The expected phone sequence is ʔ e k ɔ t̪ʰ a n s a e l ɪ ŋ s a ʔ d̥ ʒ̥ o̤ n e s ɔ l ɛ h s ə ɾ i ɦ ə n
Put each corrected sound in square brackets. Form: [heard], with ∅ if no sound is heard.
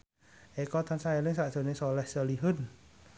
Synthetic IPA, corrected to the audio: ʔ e k ɔ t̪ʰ a n s a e l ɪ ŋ s a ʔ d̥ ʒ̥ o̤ n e s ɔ l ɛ h s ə [l] i ɦ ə n